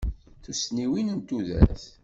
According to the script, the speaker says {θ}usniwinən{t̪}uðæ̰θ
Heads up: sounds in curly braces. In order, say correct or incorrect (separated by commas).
correct, correct